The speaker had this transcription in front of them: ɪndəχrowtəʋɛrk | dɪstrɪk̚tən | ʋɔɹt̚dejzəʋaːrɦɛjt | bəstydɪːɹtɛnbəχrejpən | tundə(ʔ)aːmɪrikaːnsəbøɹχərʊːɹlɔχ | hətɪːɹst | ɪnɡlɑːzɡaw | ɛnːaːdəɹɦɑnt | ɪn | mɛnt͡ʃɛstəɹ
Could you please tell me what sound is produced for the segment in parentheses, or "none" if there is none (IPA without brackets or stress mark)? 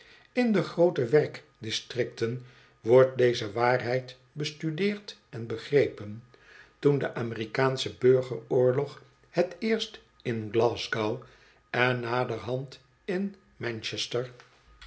ʔ